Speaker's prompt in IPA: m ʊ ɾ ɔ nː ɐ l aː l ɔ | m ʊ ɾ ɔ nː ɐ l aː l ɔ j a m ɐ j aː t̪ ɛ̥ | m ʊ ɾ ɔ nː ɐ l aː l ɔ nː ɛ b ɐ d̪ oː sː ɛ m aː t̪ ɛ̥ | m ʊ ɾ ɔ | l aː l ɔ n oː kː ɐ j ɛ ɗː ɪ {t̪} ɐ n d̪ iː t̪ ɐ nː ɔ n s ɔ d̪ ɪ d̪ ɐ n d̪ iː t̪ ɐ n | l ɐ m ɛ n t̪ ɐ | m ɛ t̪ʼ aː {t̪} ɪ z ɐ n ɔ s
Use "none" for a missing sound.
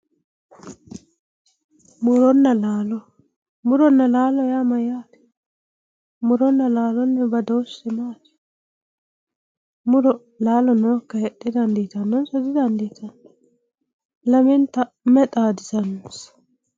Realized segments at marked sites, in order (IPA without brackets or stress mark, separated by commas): d̪, d̪